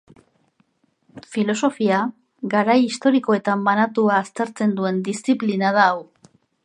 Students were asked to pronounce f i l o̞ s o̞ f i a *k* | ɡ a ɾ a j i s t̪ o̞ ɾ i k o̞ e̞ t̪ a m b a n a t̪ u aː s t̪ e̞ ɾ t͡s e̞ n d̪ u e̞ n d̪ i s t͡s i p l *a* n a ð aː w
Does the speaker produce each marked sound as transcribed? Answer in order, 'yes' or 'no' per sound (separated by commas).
no, no